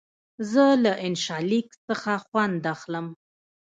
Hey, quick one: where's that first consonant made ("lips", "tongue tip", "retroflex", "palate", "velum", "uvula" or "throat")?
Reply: tongue tip